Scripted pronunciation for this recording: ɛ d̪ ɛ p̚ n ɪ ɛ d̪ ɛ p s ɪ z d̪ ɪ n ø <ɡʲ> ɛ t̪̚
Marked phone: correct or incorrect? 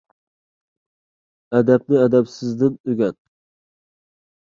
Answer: correct